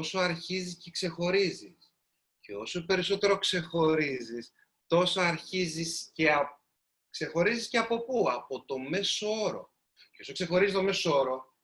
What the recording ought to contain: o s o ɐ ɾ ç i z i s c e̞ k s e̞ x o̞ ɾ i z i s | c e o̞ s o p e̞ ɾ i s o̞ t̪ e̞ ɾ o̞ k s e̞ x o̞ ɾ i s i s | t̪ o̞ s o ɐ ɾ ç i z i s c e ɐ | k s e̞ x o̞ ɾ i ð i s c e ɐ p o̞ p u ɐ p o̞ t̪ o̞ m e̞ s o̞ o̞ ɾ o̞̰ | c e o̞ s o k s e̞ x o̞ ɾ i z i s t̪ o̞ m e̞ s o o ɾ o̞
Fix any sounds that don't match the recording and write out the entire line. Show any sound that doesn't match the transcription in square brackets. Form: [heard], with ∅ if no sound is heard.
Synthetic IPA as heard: o s o ɐ ɾ ç i z i s c e̞ k s e̞ x o̞ ɾ i z i s | c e o̞ s o p e̞ ɾ i s o̞ t̪ e̞ ɾ o̞ k s e̞ x o̞ ɾ i [z] i s | t̪ o̞ s o ɐ ɾ ç i z i s c e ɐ | k s e̞ x o̞ ɾ i [z] i s c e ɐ p o̞ p u ɐ p o̞ t̪ o̞ m e̞ s o̞ o̞ ɾ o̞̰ | c e o̞ s o k s e̞ x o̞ ɾ i z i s t̪ o̞ m e̞ s o o ɾ o̞